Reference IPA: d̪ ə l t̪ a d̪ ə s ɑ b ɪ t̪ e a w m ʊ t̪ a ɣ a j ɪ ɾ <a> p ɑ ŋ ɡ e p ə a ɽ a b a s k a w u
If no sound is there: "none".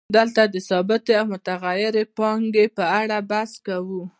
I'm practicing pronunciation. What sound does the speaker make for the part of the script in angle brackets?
e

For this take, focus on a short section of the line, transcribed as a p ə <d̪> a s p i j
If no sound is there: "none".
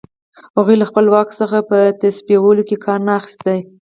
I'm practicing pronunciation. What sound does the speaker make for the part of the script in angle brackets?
t̪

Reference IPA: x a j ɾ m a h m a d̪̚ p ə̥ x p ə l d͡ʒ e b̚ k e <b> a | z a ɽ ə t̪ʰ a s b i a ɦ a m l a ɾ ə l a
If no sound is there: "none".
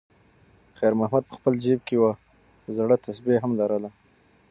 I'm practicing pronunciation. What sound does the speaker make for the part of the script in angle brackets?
w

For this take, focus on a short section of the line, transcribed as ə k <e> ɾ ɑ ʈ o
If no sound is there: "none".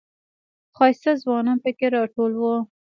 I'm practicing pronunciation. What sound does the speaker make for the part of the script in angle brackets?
e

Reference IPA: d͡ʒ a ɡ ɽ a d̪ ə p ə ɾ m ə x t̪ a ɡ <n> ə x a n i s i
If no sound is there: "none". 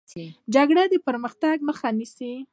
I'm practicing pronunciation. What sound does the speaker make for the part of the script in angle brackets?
m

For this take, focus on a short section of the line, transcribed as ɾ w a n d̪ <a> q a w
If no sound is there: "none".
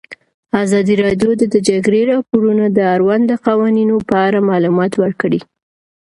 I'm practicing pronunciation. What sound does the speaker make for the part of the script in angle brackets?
ə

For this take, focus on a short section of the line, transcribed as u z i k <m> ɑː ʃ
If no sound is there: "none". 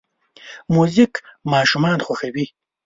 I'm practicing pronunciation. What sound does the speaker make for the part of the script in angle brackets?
m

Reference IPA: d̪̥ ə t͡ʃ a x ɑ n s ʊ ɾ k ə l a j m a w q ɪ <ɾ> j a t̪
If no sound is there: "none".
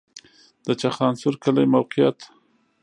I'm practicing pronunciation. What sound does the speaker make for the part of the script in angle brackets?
none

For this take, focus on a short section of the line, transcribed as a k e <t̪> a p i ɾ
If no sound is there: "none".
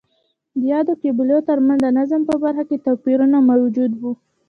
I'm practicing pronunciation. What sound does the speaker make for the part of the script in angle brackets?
t̪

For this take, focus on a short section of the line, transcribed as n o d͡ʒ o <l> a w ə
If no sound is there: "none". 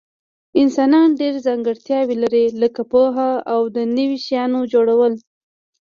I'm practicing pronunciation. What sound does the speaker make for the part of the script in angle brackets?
ɽ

